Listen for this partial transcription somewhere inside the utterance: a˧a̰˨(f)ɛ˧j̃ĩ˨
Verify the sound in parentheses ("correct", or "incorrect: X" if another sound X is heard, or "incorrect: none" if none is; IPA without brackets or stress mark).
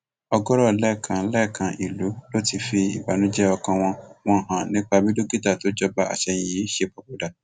incorrect: ʃ